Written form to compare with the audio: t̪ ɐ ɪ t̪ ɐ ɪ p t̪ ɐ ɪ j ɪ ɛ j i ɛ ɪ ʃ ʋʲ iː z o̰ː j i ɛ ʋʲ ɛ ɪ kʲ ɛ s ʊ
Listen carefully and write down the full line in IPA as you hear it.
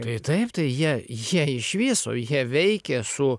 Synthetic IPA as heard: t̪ ɐ ɪ t̪ ɐ ɪ p t̪ ɐ ɪ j i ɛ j i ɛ ɪ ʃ ʋʲ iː s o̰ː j i ɛ ʋʲ ɛ ɪ kʲ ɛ s ʊ